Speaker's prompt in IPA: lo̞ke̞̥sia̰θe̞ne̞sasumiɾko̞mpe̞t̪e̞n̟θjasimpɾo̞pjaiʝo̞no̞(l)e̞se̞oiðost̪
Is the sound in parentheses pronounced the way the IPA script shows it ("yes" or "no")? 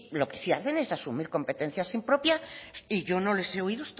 yes